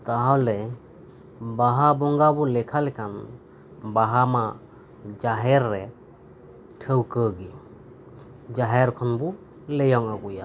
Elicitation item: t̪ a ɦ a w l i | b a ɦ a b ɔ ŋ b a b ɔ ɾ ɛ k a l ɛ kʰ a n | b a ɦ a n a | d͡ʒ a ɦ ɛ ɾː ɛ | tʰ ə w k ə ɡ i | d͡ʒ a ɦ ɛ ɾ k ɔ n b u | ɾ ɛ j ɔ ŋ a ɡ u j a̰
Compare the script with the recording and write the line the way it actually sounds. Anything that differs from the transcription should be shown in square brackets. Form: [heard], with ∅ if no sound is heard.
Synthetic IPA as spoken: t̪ a ɦ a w l [ɛ] | b a ɦ a b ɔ ŋ [ɡ] a b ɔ [l] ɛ [kʰ] a l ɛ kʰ a n | b a ɦ a [m] a | d͡ʒ a ɦ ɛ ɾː ɛ | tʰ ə w k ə ɡ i | d͡ʒ a ɦ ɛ ɾ [kʰ] ɔ n b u | [l] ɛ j ɔ ŋ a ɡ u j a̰